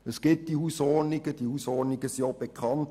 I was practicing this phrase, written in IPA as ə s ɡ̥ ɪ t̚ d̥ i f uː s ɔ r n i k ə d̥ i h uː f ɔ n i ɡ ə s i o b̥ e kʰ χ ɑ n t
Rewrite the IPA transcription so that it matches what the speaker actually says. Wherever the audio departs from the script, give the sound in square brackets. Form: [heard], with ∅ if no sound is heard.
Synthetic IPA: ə s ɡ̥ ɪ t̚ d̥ i [h] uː s ɔ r n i [ɡ] ə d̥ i h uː [s] ɔ n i ɡ ə s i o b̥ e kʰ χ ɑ n t